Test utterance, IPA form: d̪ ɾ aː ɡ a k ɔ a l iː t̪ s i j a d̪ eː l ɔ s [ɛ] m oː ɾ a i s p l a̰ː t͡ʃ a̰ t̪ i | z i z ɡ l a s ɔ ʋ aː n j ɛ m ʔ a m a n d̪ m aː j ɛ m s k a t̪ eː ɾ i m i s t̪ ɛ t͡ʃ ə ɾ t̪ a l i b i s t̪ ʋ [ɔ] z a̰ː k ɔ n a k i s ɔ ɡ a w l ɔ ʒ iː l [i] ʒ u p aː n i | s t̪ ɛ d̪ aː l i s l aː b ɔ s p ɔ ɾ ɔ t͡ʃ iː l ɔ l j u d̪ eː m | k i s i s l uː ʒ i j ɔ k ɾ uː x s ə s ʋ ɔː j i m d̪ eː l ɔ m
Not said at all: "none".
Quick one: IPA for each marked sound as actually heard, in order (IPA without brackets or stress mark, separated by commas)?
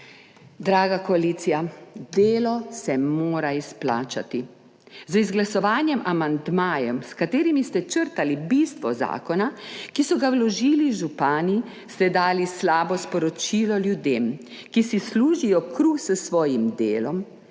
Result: ɛ, ɔ, i